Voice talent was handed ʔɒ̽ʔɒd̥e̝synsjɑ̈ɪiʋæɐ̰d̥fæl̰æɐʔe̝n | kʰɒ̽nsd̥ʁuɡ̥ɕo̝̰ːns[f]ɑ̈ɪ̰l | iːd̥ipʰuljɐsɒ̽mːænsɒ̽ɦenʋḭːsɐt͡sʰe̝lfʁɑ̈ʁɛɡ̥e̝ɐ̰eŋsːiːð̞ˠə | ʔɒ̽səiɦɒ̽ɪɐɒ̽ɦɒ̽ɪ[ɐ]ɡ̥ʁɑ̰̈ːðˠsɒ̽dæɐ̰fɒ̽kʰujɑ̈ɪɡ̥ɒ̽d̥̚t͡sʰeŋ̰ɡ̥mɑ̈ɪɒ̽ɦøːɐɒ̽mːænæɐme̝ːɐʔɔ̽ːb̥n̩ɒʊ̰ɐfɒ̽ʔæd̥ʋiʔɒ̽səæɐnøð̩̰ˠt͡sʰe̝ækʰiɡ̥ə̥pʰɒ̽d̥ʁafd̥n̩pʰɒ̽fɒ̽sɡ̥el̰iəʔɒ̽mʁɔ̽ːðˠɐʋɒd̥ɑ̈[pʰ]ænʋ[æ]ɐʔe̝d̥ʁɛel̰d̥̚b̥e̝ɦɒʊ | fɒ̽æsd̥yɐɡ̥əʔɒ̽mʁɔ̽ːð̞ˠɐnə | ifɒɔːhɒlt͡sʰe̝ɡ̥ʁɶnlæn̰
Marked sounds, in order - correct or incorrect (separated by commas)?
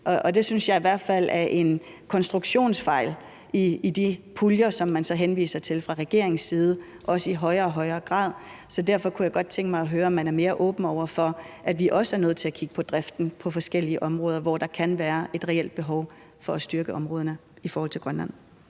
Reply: correct, incorrect, incorrect, incorrect